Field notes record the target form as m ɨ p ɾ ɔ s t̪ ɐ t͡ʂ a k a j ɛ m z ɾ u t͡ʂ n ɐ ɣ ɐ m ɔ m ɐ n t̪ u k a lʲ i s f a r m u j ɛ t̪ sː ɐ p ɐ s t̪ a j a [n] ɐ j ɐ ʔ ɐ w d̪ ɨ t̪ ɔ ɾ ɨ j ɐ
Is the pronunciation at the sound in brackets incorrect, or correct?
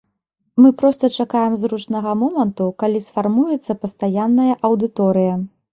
incorrect